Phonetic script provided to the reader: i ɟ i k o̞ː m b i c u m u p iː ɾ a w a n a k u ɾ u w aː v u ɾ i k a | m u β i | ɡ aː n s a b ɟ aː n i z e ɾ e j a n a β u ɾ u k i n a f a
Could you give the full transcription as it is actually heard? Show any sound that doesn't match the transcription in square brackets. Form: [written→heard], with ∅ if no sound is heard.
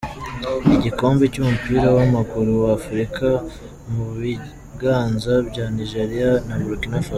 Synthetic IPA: i ɟ i k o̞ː m b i c u m u p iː ɾ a w a [n→m] a k u ɾ u w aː [v→f] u ɾ i k a | m u β i | ɡ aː n [s→z] a b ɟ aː n i [z→ʒ] e ɾ [e→i] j a n a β u ɾ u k i n a f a